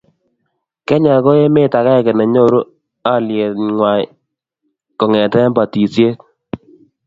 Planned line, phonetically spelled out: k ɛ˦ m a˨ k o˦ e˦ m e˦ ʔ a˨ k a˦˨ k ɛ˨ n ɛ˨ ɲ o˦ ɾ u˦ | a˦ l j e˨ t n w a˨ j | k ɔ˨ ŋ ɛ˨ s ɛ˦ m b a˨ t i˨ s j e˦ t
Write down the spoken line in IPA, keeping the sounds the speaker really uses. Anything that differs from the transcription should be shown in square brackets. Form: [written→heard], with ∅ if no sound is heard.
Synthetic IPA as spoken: k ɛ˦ [m→ɲ] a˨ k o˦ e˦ m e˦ [ʔ→t] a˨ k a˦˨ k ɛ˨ n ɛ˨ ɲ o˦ ɾ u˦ | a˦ l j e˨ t [n→ŋ] w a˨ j | k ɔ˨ ŋ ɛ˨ [s→t] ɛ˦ m b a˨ t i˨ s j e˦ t